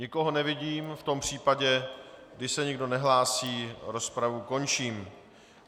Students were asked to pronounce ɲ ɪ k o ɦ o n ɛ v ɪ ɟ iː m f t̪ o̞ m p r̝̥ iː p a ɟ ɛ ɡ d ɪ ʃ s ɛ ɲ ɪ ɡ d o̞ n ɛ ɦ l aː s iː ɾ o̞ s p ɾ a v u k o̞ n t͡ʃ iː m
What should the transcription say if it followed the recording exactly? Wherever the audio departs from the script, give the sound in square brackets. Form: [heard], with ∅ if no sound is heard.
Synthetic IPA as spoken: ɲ ɪ k o ɦ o n ɛ v ɪ ɟ iː m f t̪ o̞ m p r̝̥ iː p a ɟ ɛ ɡ d ɪ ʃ s ɛ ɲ ɪ ɡ d o̞ n ɛ ɦ l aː s iː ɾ o̞ s p ɾ a v u k o̞ n t͡ʃ iː m